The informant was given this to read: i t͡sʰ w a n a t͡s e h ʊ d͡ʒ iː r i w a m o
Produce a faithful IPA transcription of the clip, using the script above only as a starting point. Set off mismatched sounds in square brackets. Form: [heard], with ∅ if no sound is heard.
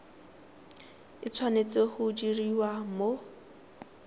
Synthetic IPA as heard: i t͡sʰ w a n [e] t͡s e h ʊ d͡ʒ [i] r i w a m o